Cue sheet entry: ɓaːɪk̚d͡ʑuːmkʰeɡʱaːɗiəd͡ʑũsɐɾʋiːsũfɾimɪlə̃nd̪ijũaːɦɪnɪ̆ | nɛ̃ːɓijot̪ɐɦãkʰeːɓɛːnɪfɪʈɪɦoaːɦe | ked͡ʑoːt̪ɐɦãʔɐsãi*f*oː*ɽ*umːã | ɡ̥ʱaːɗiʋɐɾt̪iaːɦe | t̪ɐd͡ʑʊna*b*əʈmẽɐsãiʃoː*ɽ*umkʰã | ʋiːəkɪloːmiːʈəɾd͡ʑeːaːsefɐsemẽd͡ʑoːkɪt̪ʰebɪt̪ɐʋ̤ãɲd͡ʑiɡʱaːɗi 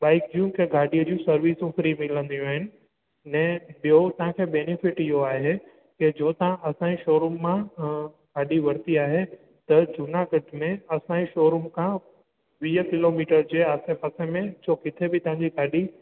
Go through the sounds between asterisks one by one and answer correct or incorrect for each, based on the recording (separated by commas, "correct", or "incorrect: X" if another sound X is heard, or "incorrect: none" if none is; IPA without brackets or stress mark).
incorrect: ʃ, incorrect: ɾ, incorrect: ɡ, incorrect: ɾ